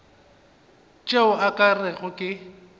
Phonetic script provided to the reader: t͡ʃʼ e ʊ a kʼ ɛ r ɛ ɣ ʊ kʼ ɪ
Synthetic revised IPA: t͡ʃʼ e ʊ a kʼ a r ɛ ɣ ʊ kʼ ɪ